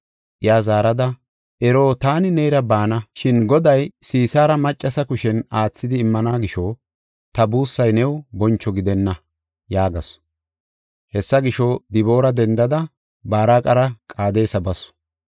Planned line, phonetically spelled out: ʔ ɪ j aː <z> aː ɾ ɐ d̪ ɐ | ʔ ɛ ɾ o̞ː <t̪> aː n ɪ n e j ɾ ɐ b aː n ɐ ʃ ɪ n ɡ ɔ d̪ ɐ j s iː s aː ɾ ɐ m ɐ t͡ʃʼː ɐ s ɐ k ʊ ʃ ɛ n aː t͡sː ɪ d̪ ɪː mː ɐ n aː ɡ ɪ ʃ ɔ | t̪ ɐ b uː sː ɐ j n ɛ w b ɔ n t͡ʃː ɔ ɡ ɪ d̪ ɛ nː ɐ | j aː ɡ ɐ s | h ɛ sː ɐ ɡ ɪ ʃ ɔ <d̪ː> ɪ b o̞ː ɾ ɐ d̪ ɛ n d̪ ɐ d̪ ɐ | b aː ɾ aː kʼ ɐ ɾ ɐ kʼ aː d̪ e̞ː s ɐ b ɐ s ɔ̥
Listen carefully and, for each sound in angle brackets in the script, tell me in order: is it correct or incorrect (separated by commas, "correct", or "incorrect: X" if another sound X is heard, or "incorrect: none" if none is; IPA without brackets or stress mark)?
correct, correct, incorrect: d̪